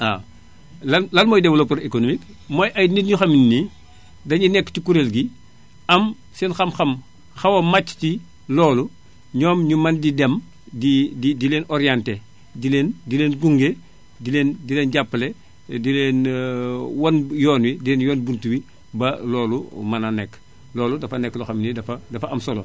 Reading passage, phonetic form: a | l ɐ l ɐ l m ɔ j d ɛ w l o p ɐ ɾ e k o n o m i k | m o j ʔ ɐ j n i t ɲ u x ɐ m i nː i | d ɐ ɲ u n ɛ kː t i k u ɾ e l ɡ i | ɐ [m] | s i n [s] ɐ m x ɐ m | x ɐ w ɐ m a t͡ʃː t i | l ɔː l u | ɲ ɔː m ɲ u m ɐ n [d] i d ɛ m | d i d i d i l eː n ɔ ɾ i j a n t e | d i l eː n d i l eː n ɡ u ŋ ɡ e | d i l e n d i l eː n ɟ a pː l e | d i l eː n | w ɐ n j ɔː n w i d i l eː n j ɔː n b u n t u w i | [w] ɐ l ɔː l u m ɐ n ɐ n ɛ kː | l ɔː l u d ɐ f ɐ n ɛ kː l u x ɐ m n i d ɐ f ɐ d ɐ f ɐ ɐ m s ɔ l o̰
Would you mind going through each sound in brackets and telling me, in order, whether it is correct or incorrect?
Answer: correct, incorrect: x, correct, incorrect: b

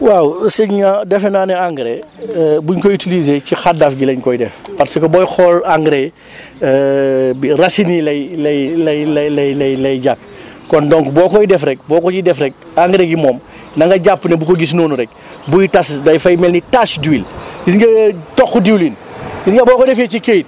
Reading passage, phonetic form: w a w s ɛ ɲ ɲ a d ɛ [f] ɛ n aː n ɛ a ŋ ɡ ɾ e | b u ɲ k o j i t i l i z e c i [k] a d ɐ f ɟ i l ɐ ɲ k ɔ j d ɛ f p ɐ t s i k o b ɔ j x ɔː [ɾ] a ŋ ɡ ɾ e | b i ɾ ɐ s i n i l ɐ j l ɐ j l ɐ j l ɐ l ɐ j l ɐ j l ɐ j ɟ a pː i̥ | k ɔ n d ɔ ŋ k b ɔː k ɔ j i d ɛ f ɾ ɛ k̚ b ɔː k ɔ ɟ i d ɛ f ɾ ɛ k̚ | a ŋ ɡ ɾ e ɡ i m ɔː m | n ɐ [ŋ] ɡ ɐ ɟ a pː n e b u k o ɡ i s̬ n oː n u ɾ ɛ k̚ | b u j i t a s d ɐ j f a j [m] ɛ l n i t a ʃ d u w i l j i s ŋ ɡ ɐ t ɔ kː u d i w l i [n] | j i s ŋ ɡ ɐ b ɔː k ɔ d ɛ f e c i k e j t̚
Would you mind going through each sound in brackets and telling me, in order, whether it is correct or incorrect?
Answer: correct, incorrect: x, incorrect: l, correct, correct, correct

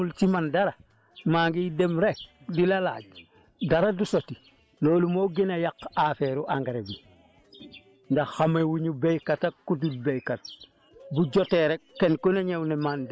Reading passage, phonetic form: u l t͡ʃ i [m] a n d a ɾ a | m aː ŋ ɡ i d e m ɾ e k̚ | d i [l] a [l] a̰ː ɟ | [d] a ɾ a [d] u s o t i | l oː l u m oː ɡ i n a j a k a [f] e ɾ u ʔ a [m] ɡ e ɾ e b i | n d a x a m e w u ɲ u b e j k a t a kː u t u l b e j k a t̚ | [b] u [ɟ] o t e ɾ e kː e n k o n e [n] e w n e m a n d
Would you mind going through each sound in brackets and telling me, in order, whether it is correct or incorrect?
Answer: correct, correct, correct, correct, correct, correct, incorrect: ŋ, correct, correct, incorrect: ɲ

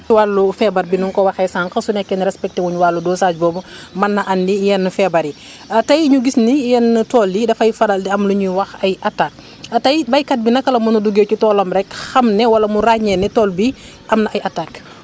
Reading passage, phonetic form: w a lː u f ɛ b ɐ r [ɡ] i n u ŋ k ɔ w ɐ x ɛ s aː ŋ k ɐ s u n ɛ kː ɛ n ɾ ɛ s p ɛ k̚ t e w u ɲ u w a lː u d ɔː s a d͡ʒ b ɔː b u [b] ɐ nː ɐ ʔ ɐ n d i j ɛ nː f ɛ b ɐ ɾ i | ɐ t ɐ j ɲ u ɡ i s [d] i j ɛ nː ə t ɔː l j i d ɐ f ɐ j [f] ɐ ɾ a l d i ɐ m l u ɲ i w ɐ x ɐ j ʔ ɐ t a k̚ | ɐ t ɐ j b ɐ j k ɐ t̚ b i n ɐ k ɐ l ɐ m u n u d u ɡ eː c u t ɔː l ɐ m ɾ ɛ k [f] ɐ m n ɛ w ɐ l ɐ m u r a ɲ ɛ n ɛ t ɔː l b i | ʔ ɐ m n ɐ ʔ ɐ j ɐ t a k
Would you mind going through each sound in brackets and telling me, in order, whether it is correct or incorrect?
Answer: incorrect: b, incorrect: m, incorrect: n, correct, incorrect: x

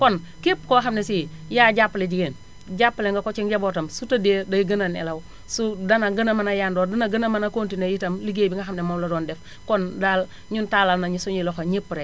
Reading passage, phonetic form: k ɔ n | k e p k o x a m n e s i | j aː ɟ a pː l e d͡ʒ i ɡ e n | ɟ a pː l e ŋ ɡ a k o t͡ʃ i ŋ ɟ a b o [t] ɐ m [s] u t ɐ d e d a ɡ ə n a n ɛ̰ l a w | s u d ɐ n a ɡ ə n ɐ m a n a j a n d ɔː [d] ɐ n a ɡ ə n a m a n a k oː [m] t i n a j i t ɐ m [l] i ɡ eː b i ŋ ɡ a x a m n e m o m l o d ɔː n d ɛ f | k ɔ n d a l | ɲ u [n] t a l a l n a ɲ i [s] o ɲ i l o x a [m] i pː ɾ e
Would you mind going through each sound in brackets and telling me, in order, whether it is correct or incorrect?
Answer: correct, correct, correct, incorrect: n, correct, correct, correct, incorrect: ɲ

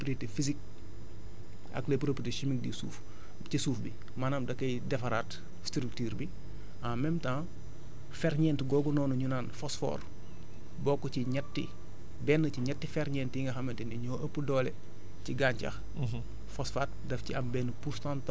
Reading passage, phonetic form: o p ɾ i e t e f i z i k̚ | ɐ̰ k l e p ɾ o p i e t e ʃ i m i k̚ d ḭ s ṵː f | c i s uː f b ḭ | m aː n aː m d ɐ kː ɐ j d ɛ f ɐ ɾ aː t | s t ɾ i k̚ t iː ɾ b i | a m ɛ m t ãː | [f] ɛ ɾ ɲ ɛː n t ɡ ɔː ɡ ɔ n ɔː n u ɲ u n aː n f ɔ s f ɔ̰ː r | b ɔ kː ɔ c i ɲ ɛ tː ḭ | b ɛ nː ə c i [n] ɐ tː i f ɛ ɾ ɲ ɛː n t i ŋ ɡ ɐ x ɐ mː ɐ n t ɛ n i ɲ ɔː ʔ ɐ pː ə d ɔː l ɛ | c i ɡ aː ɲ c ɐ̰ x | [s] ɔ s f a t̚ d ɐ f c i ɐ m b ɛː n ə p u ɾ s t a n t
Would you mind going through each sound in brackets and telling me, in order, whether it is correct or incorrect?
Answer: correct, incorrect: ɲ, incorrect: f

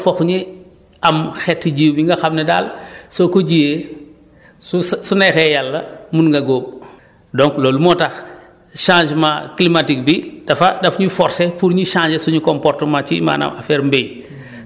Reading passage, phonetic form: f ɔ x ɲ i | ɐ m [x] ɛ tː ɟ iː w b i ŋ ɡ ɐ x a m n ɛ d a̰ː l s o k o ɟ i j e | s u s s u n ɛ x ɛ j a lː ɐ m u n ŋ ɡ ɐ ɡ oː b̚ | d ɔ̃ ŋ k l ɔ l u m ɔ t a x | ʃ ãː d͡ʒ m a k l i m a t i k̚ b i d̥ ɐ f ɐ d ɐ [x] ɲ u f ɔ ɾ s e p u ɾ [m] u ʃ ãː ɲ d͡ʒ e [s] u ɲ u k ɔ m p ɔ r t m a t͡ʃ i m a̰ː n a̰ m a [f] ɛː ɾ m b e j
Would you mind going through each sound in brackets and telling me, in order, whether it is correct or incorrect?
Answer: correct, incorrect: f, incorrect: ɲ, correct, correct

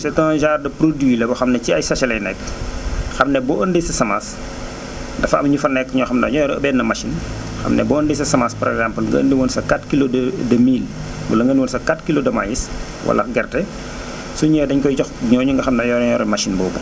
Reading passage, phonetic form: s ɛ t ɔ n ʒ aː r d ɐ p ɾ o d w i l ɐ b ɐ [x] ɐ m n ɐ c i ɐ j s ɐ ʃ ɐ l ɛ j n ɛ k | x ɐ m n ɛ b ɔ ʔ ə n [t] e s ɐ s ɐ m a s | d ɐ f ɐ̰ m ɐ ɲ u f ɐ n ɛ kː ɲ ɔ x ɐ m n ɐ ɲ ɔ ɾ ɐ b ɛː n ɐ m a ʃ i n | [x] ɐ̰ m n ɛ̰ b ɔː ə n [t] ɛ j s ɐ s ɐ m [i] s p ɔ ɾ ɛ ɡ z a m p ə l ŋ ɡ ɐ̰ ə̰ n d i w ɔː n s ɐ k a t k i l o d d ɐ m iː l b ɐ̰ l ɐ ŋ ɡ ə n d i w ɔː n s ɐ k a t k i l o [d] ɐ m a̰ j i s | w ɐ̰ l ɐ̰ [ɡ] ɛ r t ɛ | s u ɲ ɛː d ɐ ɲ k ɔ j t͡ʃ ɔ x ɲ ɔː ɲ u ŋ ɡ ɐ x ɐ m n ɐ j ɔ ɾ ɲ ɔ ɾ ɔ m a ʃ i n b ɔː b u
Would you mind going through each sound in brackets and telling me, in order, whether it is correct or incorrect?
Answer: correct, incorrect: d, correct, incorrect: d, incorrect: a, correct, correct

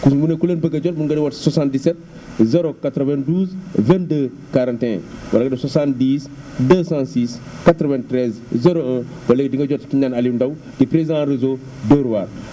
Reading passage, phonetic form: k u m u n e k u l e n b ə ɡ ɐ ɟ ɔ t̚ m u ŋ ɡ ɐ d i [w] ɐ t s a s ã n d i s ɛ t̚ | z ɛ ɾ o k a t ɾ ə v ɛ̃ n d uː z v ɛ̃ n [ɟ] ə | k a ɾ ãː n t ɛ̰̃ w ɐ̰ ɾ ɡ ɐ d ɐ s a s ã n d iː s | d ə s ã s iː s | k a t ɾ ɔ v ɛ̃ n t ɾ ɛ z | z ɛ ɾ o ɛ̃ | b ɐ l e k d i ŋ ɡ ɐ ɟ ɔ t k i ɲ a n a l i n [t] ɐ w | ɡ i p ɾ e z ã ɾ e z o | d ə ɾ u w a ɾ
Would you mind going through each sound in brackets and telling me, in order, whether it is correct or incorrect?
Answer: correct, incorrect: d, incorrect: d

